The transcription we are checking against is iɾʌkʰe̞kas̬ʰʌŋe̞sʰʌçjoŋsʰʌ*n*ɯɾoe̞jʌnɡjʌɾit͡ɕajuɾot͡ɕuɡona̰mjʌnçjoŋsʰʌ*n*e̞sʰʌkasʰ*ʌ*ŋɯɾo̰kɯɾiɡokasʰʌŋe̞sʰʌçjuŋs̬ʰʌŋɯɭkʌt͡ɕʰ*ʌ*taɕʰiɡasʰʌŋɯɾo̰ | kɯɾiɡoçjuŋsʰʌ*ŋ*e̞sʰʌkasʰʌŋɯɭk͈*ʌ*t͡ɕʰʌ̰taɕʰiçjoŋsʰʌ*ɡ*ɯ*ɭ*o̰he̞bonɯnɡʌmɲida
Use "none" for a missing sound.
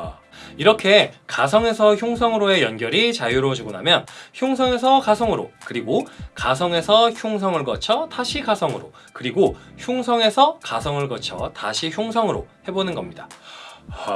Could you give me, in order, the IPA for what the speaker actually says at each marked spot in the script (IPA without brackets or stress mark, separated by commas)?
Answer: ŋ, ŋ, ʌ, ʌ, ŋ, ʌ, ŋ, ɾ